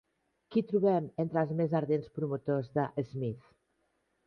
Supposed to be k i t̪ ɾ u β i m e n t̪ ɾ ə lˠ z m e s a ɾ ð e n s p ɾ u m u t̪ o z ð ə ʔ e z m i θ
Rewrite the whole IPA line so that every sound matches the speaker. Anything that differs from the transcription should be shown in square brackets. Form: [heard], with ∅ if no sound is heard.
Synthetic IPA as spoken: k i t̪ ɾ u β [ɛ] m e n t̪ ɾ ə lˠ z m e [z] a ɾ ð e n s p ɾ u m u t̪ o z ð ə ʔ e z m i θ